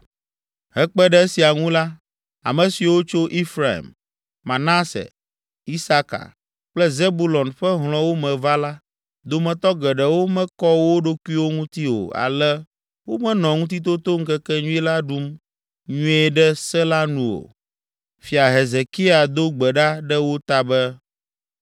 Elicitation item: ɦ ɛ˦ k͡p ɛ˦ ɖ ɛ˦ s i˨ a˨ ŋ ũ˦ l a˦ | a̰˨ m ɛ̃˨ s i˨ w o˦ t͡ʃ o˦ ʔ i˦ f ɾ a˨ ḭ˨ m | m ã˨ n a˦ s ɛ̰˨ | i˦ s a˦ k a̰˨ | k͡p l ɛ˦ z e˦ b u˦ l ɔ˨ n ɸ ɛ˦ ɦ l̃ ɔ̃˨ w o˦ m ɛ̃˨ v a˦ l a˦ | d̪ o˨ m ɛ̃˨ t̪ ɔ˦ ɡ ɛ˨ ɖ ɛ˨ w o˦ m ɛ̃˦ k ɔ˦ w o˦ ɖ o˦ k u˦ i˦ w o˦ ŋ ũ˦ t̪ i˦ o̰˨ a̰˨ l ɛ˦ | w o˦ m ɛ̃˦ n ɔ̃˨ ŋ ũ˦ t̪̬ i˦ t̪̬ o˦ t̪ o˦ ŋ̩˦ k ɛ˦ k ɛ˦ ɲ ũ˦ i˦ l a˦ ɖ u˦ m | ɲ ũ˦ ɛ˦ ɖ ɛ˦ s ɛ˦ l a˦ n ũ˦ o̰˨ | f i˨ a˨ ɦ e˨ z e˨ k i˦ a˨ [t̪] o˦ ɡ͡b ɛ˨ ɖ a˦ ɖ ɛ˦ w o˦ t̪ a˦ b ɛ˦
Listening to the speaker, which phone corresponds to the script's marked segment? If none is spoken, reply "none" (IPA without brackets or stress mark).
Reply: d̪